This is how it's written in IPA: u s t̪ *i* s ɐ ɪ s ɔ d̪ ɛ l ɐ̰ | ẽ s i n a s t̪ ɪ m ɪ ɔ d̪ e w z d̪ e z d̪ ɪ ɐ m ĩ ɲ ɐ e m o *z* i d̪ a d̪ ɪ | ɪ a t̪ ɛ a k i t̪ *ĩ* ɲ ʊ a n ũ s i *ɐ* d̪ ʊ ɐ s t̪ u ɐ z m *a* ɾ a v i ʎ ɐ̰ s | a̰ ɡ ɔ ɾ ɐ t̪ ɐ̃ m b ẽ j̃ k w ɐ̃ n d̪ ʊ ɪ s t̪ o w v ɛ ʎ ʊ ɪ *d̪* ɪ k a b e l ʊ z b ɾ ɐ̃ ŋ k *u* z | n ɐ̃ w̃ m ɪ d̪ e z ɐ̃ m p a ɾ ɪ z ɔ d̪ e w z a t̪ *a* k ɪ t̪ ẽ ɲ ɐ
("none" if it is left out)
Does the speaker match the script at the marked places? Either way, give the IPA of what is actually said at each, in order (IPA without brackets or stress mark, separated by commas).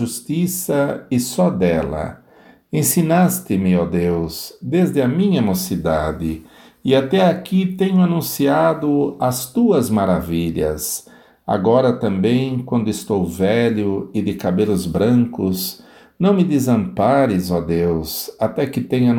i, s, ẽ, a, a, d̪, ʊ, ɛ